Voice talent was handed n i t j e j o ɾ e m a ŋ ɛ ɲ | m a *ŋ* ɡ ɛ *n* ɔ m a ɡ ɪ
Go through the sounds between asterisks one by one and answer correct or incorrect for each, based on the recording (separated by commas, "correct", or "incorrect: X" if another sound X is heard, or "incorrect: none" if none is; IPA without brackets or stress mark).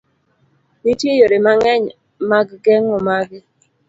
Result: incorrect: ɡ, incorrect: ŋ